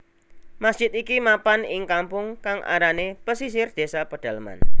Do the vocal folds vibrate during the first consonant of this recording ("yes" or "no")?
yes